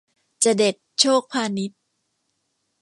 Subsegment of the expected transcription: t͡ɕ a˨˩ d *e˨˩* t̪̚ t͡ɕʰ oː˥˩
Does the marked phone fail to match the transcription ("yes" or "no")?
no